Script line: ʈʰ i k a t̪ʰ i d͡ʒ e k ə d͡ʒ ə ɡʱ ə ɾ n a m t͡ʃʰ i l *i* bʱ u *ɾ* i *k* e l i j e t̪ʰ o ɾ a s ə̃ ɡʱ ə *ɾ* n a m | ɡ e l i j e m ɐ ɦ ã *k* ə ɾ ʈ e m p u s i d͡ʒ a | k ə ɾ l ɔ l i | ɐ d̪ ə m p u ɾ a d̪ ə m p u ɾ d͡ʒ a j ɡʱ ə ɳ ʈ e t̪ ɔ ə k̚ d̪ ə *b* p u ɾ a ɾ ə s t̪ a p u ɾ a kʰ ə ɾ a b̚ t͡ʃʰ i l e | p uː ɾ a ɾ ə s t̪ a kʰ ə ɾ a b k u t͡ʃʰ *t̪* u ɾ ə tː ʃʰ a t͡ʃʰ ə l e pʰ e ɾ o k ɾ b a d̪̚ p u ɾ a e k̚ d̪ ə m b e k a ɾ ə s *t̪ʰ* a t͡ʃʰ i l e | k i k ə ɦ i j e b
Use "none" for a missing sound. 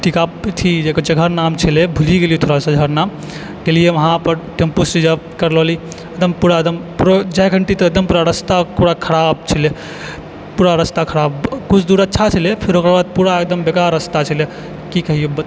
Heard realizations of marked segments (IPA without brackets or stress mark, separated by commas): e, l, ɡ, ɾ, p, m, d̪, t̪